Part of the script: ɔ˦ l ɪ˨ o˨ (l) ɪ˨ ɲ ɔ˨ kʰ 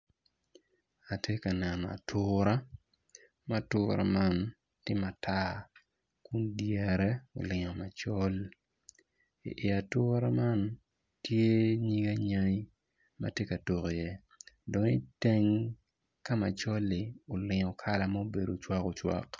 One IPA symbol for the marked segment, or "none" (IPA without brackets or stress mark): l